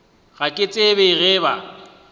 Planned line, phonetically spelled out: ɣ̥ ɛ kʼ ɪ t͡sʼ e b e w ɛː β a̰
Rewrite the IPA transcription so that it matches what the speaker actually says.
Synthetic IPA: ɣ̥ a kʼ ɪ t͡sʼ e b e ɣ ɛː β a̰